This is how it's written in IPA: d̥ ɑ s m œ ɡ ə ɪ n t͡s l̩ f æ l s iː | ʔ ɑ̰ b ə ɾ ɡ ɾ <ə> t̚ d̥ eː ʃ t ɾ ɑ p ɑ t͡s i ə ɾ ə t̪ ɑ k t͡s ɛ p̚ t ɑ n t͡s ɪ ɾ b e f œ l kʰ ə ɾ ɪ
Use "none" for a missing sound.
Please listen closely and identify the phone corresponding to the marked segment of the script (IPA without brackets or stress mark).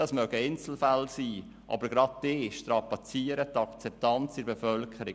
ɑ